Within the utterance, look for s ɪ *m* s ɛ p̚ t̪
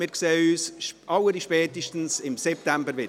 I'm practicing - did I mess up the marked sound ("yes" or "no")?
no